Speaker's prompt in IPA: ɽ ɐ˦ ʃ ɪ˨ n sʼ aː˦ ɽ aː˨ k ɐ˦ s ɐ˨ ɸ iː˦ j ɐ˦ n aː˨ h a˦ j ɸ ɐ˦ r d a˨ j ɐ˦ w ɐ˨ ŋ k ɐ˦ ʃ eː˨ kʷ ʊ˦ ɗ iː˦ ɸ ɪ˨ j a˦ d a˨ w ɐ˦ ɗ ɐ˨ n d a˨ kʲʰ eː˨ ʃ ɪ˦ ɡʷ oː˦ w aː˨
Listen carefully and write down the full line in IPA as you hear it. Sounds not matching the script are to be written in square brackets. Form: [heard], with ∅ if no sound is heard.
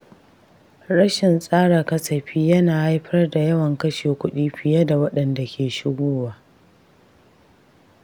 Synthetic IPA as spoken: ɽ ɐ˦ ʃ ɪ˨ n sʼ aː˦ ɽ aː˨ k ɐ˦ s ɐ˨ ɸ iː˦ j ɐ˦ n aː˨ h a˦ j ɸ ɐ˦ r d a˨ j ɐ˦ w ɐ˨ ŋ k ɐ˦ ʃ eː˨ kʷ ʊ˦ ɗ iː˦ ɸ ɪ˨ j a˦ d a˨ w ɐ˦ ɗ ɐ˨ n d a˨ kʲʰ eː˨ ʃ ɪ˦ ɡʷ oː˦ w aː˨

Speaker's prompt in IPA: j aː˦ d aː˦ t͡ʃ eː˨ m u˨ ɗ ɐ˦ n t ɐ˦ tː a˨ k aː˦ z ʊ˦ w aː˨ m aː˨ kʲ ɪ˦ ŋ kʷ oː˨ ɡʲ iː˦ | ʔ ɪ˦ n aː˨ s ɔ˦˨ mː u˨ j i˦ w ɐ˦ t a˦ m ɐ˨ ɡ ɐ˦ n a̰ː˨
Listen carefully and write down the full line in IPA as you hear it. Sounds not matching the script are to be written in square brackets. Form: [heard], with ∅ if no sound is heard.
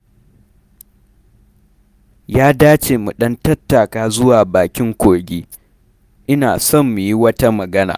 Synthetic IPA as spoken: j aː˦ d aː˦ t͡ʃ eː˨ m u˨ ɗ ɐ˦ n t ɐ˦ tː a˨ k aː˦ z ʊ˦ w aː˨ [b] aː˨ kʲ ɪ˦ ŋ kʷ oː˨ ɡʲ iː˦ | ʔ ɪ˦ n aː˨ s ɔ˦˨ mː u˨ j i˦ w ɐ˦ t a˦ m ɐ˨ ɡ ɐ˦ n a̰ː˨

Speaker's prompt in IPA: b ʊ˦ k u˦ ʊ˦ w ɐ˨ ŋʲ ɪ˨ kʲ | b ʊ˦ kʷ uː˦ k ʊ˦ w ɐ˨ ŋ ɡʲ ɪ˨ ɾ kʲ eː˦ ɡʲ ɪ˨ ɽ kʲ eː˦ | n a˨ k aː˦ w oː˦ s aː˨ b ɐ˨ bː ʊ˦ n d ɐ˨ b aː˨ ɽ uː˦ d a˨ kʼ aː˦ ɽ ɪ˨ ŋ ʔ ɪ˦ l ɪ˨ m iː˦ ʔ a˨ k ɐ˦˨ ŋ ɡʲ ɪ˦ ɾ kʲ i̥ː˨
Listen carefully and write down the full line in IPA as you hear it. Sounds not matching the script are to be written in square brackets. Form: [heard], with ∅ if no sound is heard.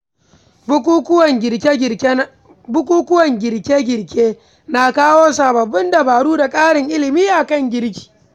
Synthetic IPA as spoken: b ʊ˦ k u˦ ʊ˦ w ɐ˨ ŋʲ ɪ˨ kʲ | b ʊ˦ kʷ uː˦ k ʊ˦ w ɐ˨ ŋ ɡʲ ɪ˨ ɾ kʲ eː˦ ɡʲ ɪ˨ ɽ kʲ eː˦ | n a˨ k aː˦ w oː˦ s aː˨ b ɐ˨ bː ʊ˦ n d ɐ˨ b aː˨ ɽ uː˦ d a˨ kʼ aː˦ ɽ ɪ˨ ŋ ʔ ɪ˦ l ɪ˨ m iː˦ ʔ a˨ k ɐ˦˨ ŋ ɡʲ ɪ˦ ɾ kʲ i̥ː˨

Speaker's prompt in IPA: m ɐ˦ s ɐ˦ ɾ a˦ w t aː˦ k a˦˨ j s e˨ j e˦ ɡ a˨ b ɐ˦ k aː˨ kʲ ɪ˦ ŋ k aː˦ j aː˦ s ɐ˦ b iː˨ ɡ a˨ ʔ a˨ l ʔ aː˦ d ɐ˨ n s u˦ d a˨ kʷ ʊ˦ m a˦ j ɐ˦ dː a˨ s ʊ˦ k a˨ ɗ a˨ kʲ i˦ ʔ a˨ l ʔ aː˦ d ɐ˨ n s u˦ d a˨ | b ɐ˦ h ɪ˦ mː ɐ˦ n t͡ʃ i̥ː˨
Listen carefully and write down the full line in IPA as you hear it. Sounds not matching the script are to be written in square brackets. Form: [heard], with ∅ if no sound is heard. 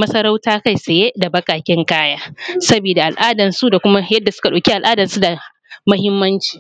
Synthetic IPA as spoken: m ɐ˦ s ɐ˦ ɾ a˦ w t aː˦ k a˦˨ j s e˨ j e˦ [d] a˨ b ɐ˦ k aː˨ kʲ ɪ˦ ŋ k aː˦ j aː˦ s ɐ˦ b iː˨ [d] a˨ ʔ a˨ l ʔ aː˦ d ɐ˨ n s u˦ d a˨ kʷ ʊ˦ m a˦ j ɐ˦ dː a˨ s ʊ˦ k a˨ ɗ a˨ kʲ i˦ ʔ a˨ l ʔ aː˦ d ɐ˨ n s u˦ d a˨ | [m] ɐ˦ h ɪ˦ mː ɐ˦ n t͡ʃ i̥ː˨

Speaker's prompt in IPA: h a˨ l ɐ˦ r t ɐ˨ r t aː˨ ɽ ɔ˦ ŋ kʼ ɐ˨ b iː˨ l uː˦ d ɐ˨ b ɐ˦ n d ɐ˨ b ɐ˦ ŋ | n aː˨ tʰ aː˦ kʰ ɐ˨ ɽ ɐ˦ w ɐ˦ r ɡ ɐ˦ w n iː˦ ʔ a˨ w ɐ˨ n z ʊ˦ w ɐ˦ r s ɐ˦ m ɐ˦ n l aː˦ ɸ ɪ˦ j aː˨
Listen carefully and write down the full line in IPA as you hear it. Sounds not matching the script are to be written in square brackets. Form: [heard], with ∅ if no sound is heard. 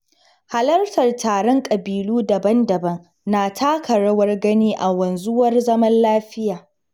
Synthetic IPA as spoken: h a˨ l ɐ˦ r t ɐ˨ r t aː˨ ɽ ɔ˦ ŋ kʼ ɐ˨ b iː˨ l uː˦ d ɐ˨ b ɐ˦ n d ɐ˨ b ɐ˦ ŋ | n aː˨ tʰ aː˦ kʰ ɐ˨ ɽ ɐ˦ w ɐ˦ r ɡ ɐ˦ [∅] n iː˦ ʔ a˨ w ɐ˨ n z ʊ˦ w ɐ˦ r [z] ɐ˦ m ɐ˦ n l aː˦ ɸ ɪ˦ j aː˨

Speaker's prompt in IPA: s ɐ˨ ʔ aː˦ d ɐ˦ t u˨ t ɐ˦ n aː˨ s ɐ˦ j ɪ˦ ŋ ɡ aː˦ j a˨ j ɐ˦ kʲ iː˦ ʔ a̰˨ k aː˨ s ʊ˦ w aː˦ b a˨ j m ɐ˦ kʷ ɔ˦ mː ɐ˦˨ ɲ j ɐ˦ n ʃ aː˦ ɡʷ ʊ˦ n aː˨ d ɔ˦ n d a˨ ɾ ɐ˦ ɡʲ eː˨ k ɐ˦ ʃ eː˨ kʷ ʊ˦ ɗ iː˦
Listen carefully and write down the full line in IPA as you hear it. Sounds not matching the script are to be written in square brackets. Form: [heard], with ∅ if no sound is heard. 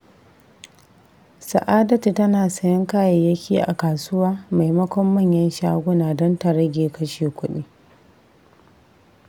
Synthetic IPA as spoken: s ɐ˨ ʔ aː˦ d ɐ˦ t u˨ t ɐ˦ n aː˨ s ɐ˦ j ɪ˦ ŋ [k] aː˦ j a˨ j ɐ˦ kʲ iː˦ ʔ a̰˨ k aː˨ s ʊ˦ w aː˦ [m] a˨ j m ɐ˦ kʷ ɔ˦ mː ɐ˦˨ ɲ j ɐ˦ n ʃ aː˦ ɡʷ ʊ˦ n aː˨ d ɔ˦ n [t] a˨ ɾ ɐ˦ ɡʲ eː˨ k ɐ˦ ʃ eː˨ kʷ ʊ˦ ɗ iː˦

